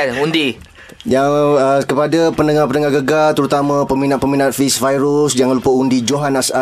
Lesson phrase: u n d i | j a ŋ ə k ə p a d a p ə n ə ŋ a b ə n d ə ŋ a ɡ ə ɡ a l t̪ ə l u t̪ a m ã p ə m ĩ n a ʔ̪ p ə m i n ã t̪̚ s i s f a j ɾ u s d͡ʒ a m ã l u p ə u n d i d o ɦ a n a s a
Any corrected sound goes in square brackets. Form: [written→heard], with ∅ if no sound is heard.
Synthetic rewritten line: u n d i | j a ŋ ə k ə p a d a p ə n ə ŋ a [b→p] ə n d ə ŋ a ɡ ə ɡ a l t̪ ə [l→ɾ] u t̪ a m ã p ə m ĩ n a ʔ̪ p ə m i n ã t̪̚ [s→f] i s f a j ɾ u s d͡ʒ a [m→ŋ] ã l u p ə u n d i [d→d͡ʒ] o ɦ a n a s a